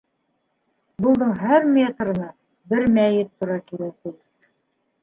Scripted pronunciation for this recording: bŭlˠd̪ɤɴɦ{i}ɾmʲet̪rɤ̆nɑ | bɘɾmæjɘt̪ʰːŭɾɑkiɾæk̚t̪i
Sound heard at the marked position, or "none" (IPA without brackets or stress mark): æ